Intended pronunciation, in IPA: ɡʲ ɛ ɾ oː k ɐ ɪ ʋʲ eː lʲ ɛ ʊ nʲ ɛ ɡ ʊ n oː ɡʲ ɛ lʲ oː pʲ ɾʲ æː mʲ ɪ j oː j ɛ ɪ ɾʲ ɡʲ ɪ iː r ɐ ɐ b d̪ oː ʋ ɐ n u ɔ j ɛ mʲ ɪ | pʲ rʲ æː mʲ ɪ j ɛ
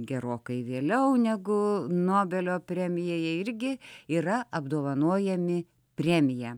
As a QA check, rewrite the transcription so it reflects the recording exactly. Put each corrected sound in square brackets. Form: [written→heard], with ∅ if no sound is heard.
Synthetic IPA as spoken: ɡʲ ɛ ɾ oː k ɐ ɪ ʋʲ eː lʲ ɛ ʊ nʲ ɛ ɡ ʊ n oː [ɡʲ→bʲ] ɛ lʲ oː pʲ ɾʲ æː mʲ ɪ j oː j ɛ ɪ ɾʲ ɡʲ ɪ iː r ɐ ɐ b d̪ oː ʋ ɐ n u ɔ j ɛ mʲ ɪ | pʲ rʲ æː mʲ ɪ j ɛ